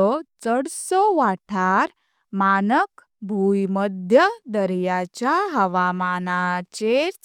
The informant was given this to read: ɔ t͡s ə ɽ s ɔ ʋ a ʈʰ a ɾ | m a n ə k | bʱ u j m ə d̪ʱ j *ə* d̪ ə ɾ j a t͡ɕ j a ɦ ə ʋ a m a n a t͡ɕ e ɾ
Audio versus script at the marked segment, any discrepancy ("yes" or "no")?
no